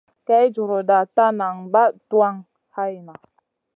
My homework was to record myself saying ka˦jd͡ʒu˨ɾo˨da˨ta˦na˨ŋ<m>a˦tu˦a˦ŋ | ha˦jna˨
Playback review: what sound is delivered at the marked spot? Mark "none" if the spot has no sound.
b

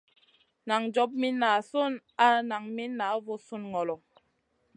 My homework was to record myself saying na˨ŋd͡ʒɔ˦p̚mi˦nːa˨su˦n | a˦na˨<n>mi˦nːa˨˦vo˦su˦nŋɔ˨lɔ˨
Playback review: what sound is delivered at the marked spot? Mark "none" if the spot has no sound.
ŋ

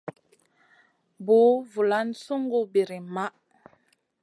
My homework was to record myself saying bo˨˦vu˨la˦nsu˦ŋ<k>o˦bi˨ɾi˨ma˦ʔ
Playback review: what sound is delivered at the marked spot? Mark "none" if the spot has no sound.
ɡ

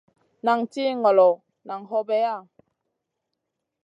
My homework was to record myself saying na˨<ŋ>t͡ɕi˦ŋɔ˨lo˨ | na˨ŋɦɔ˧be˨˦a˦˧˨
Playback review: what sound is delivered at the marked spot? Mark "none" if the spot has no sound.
ŋ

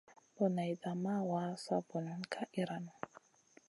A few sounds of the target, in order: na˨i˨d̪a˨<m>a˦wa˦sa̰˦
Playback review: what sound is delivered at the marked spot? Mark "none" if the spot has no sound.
m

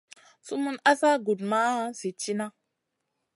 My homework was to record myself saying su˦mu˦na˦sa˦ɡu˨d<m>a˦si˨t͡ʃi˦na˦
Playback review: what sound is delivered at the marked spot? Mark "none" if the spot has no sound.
m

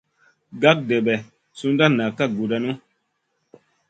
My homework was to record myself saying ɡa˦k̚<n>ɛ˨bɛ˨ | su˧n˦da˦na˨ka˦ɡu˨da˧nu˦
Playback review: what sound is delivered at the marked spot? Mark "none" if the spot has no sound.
d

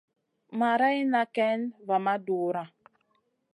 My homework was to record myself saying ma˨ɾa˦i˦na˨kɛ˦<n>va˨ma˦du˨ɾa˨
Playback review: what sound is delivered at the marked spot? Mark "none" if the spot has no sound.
n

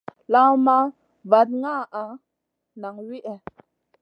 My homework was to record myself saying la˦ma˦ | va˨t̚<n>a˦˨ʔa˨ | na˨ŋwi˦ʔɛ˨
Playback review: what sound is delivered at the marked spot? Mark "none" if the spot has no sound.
ŋ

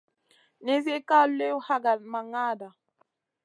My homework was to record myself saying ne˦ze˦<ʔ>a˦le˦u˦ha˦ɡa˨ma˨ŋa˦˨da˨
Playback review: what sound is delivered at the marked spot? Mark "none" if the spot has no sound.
k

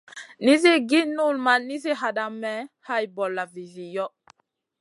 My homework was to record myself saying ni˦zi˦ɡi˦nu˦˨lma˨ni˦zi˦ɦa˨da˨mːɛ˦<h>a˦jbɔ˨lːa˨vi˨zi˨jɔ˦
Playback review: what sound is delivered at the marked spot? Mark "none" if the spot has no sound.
h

